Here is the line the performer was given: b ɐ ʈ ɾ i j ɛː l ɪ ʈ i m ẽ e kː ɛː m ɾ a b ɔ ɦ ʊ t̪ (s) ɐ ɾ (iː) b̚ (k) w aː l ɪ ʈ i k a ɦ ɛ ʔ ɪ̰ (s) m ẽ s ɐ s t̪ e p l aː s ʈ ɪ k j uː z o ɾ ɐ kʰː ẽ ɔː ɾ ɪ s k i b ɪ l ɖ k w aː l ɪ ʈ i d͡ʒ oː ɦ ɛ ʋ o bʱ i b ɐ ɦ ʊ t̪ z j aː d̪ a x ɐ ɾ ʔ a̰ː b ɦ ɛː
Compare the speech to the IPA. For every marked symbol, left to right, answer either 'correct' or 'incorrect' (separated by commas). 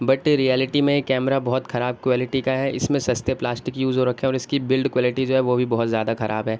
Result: incorrect, incorrect, correct, correct